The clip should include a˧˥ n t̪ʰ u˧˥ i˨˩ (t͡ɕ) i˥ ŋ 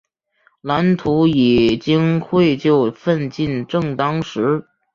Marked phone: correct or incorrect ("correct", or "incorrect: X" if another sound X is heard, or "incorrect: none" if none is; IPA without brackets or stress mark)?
correct